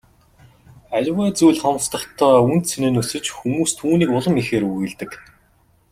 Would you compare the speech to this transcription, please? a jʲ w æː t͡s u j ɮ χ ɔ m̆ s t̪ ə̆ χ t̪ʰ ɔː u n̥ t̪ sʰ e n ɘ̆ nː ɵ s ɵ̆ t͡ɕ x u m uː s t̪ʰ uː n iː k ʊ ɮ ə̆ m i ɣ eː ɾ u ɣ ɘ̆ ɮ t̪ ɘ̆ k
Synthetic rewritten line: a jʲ w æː t͡s u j ɮ χ ɔ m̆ s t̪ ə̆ χ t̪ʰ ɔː u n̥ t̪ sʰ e n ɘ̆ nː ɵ s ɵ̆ t͡ɕ x u m uː s t̪ʰ uː n iː k ʊ ɮ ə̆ m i x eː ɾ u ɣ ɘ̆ ɮ t̪ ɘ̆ k